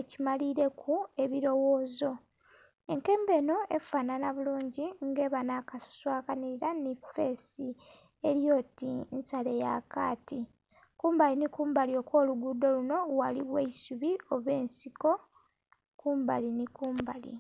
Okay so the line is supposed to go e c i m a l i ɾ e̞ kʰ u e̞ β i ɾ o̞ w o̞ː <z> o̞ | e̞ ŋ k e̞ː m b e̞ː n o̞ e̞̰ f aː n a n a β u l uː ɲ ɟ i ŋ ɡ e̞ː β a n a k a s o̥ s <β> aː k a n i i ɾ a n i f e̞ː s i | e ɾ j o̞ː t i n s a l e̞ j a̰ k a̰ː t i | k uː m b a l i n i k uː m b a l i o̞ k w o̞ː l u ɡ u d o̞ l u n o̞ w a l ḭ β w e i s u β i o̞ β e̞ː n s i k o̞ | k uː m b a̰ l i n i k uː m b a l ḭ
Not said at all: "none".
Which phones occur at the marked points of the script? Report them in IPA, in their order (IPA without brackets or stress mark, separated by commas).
z, w